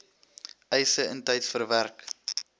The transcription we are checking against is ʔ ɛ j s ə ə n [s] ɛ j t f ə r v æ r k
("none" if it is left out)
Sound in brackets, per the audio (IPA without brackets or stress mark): t